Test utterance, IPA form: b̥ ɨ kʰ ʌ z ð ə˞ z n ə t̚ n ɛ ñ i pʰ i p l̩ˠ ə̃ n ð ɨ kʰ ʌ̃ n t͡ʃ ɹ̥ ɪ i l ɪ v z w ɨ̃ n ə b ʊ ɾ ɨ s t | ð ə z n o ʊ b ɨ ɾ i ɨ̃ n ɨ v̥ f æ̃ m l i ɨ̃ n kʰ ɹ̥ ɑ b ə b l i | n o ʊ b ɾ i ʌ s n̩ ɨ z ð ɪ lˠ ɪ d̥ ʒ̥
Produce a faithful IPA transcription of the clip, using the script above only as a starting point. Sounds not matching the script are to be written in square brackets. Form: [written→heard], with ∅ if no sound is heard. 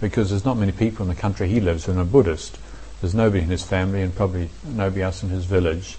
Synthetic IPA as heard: b̥ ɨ kʰ ʌ z ð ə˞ z n ə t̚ [n→m] ɛ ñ i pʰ i p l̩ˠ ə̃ n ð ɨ kʰ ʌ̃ n t͡ʃ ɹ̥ [ɪ→i] i l ɪ v z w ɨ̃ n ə b ʊ ɾ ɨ s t | ð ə z n o ʊ b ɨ ɾ i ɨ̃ n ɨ [v̥→z̥] f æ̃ m l i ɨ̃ n [kʰ→pʰ] ɹ̥ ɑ b ə b l i | n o ʊ b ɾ i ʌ s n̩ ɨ z [ð→v] ɪ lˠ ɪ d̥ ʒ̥